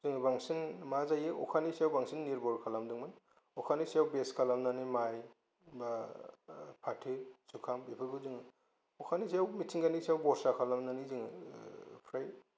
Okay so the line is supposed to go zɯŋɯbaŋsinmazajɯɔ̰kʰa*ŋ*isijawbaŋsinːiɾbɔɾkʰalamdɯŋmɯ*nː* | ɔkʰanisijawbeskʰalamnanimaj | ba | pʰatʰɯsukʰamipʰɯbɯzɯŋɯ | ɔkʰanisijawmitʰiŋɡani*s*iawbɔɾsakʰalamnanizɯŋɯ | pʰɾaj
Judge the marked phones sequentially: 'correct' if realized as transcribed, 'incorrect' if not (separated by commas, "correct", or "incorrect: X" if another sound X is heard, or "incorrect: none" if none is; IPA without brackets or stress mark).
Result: incorrect: n, incorrect: n, correct